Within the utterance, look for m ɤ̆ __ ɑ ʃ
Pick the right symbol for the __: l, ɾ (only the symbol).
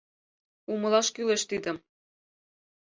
l